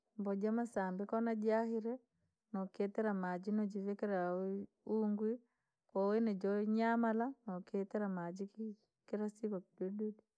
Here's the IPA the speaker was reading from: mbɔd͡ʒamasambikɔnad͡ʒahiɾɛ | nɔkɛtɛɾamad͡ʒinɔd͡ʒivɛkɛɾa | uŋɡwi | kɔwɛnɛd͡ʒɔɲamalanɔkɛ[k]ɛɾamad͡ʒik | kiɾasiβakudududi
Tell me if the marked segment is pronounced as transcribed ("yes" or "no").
no